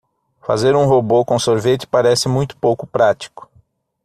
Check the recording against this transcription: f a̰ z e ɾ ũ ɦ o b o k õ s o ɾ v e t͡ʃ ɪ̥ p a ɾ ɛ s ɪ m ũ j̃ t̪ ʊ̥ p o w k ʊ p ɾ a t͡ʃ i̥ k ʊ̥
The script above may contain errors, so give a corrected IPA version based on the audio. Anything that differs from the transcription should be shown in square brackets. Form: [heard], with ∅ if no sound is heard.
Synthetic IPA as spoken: f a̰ z e ɾ ũ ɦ o b o k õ s o ɾ v e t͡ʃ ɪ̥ p a ɾ ɛ s ɪ m ũ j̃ t̪ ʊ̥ p o w k ʊ p ɾ a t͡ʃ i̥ k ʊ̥